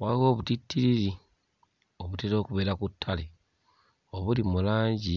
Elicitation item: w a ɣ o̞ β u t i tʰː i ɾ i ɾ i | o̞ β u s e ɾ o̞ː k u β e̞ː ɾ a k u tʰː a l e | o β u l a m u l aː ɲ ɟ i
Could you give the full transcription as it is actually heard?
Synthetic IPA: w a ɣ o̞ β u t i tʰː i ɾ i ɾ i | o̞ β u t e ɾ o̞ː k u β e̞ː ɾ a k u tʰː a l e | o β u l i m u l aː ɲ ɟ i